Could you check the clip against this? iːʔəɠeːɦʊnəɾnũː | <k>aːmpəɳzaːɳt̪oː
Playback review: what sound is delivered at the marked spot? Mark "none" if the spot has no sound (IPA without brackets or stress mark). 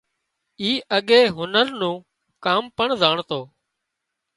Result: k